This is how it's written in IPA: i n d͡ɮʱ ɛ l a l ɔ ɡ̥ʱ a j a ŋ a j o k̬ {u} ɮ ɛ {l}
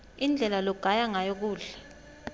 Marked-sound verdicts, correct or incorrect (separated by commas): incorrect, incorrect